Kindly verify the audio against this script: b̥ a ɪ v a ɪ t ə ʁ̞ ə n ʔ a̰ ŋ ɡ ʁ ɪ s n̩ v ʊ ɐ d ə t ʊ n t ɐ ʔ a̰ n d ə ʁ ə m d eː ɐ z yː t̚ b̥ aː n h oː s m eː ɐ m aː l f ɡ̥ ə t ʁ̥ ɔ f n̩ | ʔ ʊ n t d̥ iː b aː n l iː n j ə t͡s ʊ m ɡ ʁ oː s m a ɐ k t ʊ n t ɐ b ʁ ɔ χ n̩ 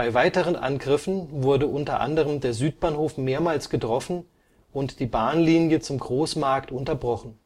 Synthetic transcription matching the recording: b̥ a ɪ v a ɪ t ə ʁ̞ ə n ʔ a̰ n ɡ ʁ ɪ f n̩ v ʊ ɐ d ə ʔ ʊ n t ɐ ʔ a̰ n d ə ʁ ə m d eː ɐ z yː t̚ b̥ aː n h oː f m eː ɐ m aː l s ɡ̥ ə t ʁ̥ ɔ f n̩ | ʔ ʊ n t d̥ iː b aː n l iː n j ə t͡s ʊ m ɡ ʁ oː s m a ɐ k t ʊ n t ɐ b ʁ ɔ χ n̩

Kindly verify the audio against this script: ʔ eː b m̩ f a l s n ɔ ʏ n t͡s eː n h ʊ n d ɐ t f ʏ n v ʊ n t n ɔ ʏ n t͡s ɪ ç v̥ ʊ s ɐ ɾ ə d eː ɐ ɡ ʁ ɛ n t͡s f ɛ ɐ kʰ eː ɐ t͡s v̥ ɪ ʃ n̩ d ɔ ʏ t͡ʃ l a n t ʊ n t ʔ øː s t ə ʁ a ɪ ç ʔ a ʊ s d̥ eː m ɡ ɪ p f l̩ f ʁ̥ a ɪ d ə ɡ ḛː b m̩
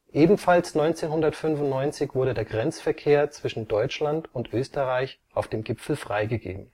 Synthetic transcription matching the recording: ʔ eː b m̩ f a l s n ɔ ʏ n t͡s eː n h ʊ n d ɐ t f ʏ n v ʊ n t n ɔ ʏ n t͡s ɪ ç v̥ ʊ ɐ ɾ ə d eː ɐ ɡ ʁ ɛ n t͡s f ɛ ɐ kʰ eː ɐ t͡s v̥ ɪ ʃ n̩ d ɔ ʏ t͡ʃ l a n t ʊ n t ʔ øː s t ə ʁ a ɪ ç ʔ a ʊ f d̥ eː m ɡ ɪ p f l̩ f ʁ̥ a ɪ ɡ ə ɡ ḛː b m̩

